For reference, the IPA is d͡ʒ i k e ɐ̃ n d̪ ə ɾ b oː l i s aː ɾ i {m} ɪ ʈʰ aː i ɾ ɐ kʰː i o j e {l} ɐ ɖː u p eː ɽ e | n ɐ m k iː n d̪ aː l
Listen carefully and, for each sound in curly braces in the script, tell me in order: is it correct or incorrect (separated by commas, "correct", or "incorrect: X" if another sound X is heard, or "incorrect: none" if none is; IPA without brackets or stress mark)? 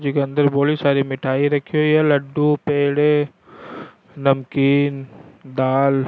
correct, correct